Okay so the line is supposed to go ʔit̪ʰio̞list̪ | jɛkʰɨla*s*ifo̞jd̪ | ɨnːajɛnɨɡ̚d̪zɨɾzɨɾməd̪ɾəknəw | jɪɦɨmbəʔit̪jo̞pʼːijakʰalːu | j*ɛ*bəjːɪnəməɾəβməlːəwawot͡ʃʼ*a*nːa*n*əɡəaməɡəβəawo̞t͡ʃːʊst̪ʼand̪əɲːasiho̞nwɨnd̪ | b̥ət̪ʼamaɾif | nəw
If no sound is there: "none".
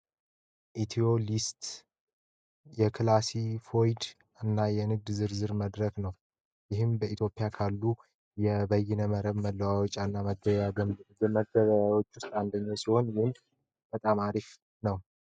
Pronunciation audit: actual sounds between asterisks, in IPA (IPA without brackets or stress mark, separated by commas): s, ɛ, a, m